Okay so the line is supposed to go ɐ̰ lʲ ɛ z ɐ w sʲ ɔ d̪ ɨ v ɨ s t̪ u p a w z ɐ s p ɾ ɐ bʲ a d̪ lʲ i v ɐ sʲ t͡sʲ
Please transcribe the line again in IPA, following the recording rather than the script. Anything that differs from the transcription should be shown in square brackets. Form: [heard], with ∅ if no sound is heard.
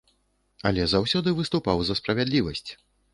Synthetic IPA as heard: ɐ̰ lʲ ɛ z [a] w sʲ ɔ d̪ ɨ v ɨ s t̪ u p a w z ɐ s p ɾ ɐ [vʲ] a d̪ lʲ i v ɐ sʲ t͡sʲ